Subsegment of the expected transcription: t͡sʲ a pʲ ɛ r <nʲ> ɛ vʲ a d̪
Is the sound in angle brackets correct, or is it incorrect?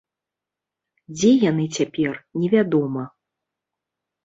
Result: correct